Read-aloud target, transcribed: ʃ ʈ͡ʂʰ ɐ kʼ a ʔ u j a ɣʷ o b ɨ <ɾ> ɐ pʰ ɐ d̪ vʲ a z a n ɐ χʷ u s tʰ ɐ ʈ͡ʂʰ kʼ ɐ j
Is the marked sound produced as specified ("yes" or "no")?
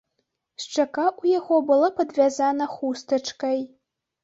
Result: no